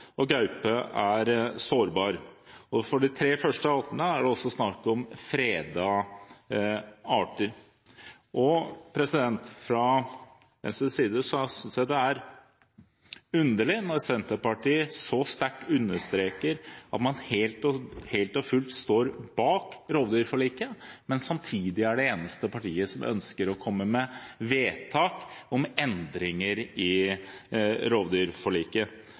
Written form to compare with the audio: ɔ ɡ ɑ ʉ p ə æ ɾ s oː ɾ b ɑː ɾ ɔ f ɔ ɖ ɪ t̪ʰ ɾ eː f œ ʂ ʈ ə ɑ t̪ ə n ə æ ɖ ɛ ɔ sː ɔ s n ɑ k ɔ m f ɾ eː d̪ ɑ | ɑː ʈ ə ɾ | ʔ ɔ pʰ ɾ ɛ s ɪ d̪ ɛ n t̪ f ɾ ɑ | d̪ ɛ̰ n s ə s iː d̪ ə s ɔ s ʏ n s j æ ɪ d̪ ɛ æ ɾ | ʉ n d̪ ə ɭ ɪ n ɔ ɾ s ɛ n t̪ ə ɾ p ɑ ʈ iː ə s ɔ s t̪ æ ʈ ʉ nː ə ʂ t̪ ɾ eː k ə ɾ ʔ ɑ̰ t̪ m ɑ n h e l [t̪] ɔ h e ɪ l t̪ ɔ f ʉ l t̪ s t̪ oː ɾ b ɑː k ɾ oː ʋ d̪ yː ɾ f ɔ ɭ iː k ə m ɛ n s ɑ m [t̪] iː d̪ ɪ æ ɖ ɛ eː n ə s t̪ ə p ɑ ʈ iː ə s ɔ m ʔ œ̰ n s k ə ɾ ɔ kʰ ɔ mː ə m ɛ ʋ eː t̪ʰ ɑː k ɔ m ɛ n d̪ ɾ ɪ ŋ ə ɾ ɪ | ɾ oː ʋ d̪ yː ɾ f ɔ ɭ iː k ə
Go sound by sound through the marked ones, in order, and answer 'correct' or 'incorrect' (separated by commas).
correct, incorrect